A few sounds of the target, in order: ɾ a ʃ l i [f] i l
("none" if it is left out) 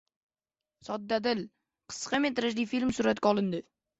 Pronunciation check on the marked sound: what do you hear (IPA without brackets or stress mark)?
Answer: f